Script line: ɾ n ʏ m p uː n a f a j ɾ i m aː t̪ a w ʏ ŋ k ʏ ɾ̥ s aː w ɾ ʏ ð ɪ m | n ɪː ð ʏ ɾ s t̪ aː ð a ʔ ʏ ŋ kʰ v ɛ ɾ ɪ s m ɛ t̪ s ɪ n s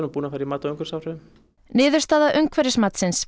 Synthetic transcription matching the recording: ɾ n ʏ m p uː n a f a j ɾ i m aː t̪ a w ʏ ŋ k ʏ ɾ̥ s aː w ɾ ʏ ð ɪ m | n ɪː ð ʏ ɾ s t̪ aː ð a ʔ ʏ ŋ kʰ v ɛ ɾ ɪ s m a t̪ s ɪ n s